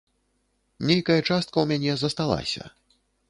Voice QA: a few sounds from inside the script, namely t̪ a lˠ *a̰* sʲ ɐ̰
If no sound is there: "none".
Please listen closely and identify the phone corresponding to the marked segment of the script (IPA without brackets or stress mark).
a̰